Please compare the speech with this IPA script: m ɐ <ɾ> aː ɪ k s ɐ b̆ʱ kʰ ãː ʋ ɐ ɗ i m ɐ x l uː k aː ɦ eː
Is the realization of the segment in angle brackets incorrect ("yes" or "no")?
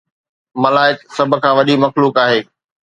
yes